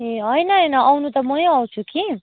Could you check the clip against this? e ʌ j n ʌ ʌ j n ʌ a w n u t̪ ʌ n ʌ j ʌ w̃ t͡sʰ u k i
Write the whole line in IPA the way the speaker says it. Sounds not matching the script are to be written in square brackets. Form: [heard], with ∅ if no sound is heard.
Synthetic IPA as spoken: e ʌ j n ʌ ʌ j n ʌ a w n u t̪ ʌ [m] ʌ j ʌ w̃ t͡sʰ u k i